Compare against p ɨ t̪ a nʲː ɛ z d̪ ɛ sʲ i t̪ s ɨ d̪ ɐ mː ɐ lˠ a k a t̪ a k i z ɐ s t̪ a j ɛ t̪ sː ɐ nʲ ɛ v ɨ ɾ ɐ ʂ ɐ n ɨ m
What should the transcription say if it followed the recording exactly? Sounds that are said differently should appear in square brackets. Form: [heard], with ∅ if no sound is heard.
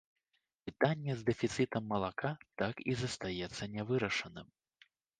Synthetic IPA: p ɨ t̪ a nʲː ɛ z d̪ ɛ [fʲ] i t̪ s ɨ [t̪] ɐ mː ɐ lˠ a k a t̪ a k i z ɐ s t̪ a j ɛ t̪ sː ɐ nʲ ɛ v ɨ ɾ ɐ ʂ ɐ n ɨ m